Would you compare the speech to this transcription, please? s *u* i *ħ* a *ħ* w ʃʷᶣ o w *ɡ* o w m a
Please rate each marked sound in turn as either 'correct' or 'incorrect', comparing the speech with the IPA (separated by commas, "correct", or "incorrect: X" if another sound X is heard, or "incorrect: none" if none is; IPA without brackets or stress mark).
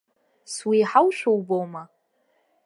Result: incorrect: w, correct, incorrect: none, incorrect: b